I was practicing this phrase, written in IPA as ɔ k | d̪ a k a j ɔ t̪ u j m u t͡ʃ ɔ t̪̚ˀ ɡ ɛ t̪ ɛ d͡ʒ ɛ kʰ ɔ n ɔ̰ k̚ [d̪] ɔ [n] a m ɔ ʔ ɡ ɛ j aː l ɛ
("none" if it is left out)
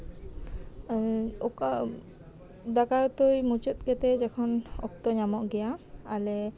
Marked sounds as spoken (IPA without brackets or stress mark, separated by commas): t̪, ɲ